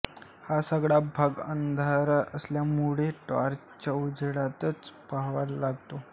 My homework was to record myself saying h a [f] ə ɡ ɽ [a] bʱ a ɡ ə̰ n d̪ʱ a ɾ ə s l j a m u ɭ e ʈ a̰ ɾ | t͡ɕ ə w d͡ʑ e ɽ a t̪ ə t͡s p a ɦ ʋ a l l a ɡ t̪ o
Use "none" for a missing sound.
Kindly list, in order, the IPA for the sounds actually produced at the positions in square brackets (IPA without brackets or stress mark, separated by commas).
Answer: s, a